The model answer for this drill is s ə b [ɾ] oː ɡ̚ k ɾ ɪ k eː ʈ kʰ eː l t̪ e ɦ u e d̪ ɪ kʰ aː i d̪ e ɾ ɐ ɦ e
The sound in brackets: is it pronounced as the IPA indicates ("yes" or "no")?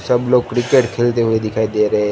no